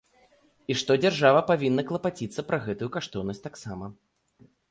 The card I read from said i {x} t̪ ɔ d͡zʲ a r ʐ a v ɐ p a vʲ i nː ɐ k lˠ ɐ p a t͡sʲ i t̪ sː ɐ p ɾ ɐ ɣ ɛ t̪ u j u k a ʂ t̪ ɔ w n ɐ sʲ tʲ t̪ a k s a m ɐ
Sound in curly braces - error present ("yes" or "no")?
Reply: yes